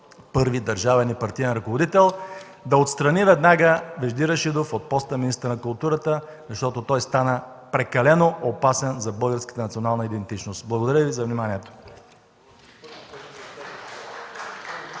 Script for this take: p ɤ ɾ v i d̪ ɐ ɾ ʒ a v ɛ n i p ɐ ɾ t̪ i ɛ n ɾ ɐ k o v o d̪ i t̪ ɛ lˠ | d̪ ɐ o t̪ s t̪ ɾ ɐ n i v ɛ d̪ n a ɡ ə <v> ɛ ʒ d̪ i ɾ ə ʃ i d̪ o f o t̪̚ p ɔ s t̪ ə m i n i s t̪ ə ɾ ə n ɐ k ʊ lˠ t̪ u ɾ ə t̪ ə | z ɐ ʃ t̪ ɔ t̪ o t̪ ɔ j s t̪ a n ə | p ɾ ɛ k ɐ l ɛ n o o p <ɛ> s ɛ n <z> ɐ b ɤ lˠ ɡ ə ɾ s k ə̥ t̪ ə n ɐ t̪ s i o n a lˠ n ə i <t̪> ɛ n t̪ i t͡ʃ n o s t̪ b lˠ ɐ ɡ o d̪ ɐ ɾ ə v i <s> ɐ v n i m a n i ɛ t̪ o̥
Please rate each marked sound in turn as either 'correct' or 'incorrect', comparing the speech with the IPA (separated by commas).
correct, incorrect, correct, incorrect, incorrect